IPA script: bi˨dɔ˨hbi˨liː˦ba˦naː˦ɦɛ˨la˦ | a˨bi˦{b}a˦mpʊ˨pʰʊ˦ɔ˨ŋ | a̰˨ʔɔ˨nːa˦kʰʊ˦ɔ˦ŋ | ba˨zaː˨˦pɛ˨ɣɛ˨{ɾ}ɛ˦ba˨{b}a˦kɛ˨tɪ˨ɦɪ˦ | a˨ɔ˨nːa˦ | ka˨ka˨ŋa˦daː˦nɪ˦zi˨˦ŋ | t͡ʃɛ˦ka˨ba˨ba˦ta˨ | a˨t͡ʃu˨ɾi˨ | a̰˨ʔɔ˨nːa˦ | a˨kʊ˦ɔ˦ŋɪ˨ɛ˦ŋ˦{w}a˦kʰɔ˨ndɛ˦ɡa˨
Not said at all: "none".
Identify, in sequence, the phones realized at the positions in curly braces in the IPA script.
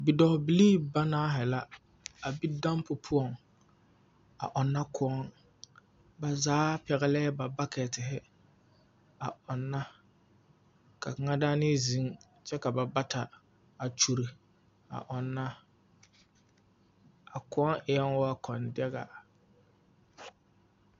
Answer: d, l, b, w

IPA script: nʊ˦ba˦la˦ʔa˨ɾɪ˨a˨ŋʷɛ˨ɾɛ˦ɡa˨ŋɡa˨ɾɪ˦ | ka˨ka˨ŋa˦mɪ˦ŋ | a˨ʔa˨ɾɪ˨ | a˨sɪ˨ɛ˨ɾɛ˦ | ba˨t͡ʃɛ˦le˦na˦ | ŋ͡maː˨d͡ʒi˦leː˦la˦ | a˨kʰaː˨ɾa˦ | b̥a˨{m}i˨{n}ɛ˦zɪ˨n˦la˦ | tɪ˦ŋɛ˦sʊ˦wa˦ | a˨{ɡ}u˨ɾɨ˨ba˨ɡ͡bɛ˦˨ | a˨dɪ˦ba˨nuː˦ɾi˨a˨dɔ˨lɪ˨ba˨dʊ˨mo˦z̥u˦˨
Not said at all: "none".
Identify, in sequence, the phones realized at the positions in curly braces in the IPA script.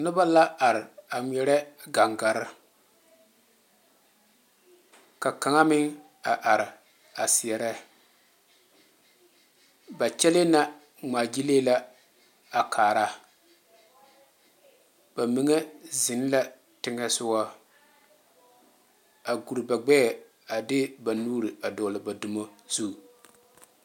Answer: m, ŋ, ɡ

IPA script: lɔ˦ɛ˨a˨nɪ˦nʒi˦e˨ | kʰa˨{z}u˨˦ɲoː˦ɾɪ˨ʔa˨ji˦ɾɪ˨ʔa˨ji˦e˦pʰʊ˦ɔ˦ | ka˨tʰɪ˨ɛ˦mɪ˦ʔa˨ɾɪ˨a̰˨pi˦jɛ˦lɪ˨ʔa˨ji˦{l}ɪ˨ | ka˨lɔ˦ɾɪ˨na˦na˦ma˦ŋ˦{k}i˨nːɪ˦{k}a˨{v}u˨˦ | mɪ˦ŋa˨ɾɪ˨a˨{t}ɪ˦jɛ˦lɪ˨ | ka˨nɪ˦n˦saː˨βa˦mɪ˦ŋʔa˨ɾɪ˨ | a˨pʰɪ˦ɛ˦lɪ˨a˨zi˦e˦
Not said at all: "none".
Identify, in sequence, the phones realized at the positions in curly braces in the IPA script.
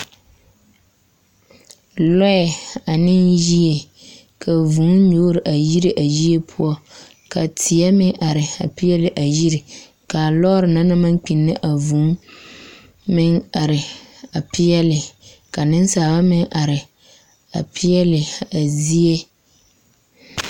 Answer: v, ɾ, k͡p, ʔ, v, p

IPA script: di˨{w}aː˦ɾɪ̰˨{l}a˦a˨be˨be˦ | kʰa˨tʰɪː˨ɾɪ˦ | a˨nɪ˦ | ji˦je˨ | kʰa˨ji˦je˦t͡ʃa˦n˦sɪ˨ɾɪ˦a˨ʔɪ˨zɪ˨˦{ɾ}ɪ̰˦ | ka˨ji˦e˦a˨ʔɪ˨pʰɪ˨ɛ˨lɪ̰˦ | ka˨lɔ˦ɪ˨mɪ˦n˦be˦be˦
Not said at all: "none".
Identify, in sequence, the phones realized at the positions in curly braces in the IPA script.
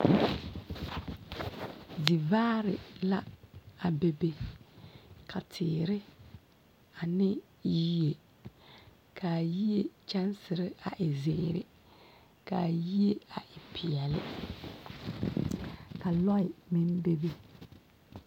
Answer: v, l, ɾ

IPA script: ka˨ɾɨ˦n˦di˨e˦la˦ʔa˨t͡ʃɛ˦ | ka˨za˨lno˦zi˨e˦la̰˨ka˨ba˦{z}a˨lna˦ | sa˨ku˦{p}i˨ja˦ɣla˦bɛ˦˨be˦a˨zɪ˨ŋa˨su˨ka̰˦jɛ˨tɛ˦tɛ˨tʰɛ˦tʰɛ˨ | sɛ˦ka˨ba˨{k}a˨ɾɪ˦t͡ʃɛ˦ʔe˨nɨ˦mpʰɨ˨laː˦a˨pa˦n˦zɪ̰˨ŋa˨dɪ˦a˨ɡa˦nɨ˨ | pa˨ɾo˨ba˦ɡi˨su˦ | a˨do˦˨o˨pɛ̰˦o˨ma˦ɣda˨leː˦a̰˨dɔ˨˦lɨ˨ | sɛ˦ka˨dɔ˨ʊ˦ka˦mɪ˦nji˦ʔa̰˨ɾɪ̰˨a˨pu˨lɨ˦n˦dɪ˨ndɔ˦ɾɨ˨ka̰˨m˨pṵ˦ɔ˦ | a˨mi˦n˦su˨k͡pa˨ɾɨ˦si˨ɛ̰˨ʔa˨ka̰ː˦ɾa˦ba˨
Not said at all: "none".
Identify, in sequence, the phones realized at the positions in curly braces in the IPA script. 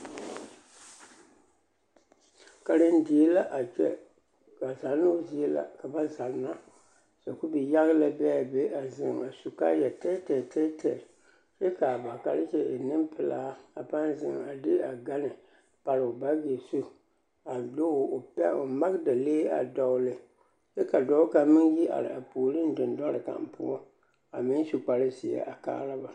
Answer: z, b, k

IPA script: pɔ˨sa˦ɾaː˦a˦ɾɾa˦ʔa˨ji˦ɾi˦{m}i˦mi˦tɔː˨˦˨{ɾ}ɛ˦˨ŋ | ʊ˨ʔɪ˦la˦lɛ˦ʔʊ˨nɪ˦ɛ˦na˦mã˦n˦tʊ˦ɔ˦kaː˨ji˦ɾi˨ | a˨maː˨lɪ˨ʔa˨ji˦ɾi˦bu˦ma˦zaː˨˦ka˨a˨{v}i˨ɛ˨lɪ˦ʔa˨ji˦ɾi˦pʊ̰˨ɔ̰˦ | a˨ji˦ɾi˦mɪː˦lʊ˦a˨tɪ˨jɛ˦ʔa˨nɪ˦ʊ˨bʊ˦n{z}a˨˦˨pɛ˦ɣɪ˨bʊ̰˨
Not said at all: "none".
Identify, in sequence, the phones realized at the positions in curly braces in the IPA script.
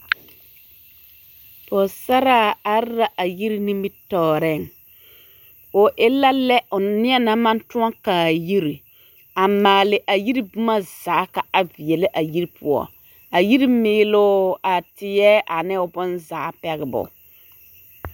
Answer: n, ɾ, v, z

